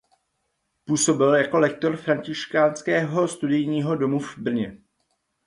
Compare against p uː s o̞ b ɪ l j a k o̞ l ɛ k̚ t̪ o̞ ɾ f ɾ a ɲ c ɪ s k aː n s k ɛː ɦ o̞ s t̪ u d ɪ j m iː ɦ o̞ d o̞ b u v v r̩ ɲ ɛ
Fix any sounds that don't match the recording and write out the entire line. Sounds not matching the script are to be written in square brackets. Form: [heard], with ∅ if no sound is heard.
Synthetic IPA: p uː s o̞ b ɪ l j a k o̞ l ɛ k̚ t̪ o̞ ɾ f ɾ a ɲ c ɪ [ʃ] k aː n s k ɛː ɦ o̞ s t̪ u d ɪ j [ɲ] iː ɦ o̞ d o̞ [m] u v [b] r̩ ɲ ɛ